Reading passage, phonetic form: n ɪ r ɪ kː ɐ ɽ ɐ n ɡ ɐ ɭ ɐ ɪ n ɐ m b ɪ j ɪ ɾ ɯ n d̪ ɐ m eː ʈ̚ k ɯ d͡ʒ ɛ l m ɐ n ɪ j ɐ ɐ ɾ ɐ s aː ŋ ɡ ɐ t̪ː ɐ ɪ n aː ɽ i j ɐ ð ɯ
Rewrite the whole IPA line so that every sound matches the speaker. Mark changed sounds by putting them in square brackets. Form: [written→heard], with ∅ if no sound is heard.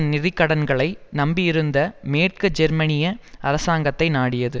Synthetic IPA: n ɪ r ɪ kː ɐ ɽ ɐ n ɡ ɐ ɭ ɐ ɪ n ɐ m b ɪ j ɪ ɾ ɯ n d̪ ɐ m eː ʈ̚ k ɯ d͡ʒ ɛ [l→ɾ] m ɐ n ɪ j ɐ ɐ ɾ ɐ s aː ŋ ɡ ɐ t̪ː ɐ ɪ n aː ɽ [i→ɪ] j ɐ ð ɯ